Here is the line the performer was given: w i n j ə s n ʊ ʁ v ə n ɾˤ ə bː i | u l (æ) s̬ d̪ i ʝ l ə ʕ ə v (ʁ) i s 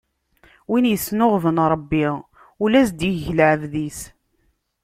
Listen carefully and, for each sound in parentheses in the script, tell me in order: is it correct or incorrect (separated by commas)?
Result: correct, incorrect